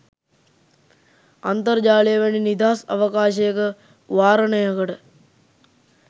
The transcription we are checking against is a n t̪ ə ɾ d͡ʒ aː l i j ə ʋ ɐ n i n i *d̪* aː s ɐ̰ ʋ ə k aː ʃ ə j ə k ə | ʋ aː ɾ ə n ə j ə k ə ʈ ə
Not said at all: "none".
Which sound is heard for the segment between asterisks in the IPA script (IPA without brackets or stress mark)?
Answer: d̪